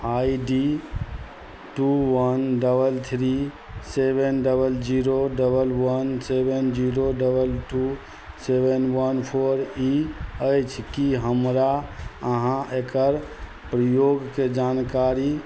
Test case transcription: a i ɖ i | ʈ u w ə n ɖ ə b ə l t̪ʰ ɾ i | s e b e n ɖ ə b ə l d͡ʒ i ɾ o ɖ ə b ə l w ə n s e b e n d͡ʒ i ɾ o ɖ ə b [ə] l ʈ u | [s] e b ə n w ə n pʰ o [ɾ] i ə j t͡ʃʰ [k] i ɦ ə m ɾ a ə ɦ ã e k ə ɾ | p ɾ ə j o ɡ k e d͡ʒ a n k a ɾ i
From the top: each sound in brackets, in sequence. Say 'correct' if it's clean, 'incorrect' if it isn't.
correct, correct, correct, correct

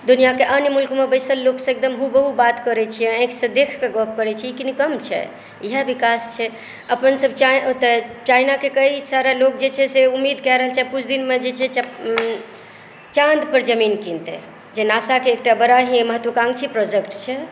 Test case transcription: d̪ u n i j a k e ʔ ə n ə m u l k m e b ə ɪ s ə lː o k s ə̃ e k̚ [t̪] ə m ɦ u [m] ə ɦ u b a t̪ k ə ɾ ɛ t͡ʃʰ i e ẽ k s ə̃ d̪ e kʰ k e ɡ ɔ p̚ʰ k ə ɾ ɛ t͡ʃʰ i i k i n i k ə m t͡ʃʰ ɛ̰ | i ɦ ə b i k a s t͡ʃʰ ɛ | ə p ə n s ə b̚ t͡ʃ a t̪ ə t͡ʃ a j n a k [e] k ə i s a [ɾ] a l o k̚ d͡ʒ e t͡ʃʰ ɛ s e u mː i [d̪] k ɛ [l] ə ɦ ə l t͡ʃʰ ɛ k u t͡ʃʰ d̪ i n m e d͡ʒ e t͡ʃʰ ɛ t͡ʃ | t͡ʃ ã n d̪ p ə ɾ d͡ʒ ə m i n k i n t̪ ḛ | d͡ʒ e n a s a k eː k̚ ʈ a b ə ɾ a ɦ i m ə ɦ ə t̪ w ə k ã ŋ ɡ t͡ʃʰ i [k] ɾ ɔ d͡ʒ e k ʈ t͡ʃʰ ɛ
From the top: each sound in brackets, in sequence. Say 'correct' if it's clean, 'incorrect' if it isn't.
incorrect: d̪, incorrect: b, correct, correct, correct, incorrect: ɾ, incorrect: p

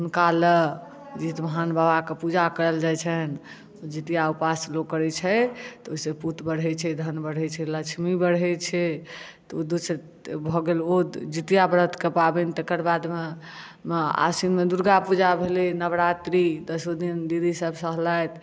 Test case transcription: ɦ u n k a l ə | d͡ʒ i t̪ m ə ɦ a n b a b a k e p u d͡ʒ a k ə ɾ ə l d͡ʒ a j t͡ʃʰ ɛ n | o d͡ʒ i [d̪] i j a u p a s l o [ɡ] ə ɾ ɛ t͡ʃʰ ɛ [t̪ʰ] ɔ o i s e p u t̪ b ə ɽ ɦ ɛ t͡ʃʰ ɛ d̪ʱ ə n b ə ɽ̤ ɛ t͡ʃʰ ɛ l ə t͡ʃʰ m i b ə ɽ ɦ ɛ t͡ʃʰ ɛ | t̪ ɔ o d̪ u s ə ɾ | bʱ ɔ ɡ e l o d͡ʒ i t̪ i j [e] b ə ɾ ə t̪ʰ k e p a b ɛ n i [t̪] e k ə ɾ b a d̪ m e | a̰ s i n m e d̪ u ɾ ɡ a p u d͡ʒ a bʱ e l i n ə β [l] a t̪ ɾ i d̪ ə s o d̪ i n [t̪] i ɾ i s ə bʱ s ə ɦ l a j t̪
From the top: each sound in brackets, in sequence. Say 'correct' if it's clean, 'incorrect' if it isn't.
incorrect: t̪, incorrect: k, incorrect: t̪, incorrect: a, correct, incorrect: ɾ, incorrect: d̪

